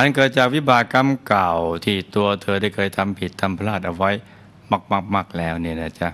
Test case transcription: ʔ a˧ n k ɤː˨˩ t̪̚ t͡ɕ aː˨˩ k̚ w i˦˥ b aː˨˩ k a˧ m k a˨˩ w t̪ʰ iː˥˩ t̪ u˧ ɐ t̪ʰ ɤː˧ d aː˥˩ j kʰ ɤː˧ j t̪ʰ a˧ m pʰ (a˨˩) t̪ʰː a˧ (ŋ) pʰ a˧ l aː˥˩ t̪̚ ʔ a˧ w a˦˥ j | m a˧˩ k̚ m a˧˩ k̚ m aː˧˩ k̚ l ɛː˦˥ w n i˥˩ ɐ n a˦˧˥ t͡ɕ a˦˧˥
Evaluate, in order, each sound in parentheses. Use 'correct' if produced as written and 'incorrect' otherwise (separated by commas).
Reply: incorrect, incorrect